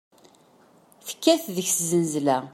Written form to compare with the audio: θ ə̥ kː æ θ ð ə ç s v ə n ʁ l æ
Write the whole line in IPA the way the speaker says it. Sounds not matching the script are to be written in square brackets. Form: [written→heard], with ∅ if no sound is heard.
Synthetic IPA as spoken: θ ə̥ kː æ θ ð ə ç s [v→z] ə n [ʁ→z] l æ

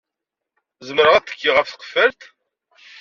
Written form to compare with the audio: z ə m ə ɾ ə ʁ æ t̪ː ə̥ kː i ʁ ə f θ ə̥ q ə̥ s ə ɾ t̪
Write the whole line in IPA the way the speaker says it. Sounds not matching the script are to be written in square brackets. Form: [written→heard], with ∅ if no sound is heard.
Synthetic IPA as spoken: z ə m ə ɾ ə ʁ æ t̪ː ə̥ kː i ʁ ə f θ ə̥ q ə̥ [s→f] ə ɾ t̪

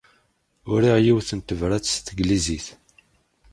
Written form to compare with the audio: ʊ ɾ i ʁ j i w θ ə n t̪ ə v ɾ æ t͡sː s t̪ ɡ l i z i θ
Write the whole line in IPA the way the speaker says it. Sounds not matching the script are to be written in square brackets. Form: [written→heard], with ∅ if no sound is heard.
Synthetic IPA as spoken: ʊ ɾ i ʁ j i w θ ə n t̪ ə v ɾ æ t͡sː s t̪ ɡ l i z i θ

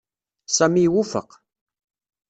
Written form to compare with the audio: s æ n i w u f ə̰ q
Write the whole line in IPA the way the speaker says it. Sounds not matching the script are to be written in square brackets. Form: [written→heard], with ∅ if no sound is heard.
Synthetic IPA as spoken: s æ [n→m] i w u f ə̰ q

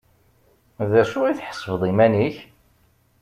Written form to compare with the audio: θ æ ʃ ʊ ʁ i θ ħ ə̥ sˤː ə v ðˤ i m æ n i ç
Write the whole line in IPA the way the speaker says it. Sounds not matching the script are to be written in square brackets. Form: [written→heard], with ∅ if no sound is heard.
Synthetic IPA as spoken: [θ→ð] æ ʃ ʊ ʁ i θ ħ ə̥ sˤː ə v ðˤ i m æ n i ç

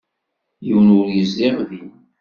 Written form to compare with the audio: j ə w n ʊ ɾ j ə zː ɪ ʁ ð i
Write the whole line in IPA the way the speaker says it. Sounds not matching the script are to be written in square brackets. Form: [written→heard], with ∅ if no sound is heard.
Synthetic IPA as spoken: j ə w n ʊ ɾ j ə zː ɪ ʁ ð i

